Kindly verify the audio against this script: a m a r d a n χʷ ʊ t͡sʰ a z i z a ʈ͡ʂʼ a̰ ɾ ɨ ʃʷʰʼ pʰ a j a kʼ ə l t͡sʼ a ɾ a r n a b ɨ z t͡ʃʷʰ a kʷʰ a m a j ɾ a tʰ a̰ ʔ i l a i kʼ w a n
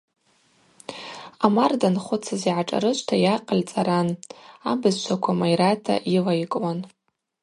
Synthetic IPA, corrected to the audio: a m a r d a n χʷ ʊ t͡sʰ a z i ʕ a ʈ͡ʂʼ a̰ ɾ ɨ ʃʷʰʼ tʰ a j a qʼ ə l t͡sʼ a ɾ a n a b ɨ z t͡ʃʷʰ a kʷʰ a m a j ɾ a tʰ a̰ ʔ i l a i kʼ w a n